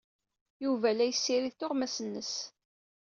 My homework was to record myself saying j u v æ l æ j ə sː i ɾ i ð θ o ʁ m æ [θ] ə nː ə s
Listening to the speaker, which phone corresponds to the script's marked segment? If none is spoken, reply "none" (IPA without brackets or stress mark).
s